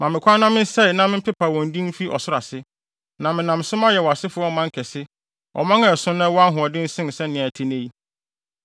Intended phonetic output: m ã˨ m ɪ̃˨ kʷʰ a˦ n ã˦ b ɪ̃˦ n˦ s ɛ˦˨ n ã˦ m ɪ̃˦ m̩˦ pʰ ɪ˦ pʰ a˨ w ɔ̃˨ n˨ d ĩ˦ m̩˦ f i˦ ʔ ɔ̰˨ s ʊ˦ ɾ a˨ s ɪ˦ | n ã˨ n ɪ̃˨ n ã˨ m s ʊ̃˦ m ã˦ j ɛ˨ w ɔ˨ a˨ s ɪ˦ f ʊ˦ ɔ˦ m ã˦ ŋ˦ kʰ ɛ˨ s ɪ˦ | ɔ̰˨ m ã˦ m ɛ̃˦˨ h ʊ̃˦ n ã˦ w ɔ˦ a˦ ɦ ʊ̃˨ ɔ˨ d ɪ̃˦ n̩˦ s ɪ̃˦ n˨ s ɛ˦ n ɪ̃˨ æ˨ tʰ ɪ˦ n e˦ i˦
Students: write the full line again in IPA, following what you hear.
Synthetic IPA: m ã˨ m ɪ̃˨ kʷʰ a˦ n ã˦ m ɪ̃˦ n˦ s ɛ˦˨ n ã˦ m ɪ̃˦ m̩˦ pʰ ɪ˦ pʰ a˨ w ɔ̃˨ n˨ d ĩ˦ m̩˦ f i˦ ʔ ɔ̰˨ s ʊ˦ ɾ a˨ s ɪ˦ | n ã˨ m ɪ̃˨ n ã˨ m s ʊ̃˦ m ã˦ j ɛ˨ w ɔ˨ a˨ s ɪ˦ f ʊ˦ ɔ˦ m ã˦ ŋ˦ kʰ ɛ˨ s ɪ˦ | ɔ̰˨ m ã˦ ŋ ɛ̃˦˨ s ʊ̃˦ n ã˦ w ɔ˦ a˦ ɦ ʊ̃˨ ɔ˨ d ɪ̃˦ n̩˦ s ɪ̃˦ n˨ s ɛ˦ n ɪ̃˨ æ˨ tʰ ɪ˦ n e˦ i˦